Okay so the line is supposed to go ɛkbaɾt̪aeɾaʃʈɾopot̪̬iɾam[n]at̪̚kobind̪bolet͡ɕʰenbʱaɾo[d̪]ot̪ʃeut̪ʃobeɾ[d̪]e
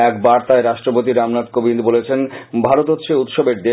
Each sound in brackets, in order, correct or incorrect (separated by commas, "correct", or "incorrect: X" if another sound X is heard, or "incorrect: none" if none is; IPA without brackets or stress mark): correct, incorrect: t̪, correct